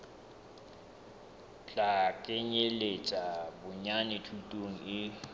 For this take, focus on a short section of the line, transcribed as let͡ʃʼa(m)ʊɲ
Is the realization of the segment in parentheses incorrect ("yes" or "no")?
yes